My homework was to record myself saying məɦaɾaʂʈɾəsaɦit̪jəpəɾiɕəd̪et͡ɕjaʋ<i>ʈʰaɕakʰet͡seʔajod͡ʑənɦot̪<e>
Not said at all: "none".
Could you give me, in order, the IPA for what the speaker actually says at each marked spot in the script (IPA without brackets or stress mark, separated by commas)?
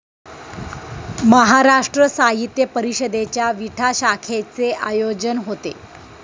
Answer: i, e